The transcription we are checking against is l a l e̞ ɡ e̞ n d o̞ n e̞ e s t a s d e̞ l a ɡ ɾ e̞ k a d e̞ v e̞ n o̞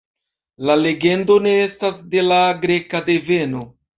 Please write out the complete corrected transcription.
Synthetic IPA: l a l e̞ ɡ e̞ n d o̞ n e̞ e s t a s d e̞ l a ɡ ɾ e̞ k a d e̞ v e̞ n o̞